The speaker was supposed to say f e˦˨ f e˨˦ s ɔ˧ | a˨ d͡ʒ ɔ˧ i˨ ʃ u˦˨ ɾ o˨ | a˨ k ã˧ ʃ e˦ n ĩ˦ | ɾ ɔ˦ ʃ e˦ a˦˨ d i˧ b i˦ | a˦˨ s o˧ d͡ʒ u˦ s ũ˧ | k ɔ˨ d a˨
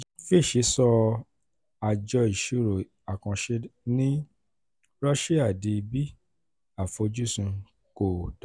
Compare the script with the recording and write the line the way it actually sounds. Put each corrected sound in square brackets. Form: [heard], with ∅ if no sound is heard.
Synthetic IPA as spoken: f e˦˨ [ʃ] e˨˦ s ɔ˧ | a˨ d͡ʒ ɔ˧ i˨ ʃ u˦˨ ɾ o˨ | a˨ k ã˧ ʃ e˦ n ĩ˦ | ɾ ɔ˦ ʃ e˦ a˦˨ d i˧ b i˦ | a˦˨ [f] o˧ d͡ʒ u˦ s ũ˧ | k [o˨] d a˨